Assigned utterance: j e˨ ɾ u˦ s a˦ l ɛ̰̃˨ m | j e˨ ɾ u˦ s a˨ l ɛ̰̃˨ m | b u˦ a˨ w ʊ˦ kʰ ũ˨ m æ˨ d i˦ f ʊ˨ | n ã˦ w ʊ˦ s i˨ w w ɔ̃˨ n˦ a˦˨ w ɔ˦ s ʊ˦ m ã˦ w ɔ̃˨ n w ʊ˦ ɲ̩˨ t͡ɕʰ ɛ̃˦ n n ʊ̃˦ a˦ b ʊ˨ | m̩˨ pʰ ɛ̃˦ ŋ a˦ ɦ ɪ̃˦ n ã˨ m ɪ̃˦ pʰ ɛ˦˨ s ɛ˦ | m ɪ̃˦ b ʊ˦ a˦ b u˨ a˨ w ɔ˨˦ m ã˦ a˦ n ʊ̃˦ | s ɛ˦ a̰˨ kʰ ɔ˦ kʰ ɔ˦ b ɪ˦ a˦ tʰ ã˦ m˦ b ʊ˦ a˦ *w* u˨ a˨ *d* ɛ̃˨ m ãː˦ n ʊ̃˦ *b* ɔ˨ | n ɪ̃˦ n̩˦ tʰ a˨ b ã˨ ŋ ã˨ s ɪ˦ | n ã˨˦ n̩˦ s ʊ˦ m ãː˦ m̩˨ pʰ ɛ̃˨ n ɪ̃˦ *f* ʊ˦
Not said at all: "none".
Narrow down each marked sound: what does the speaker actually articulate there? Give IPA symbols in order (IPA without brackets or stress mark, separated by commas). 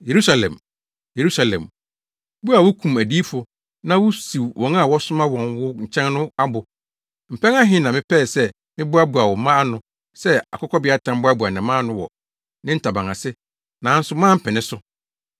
b, n, w, s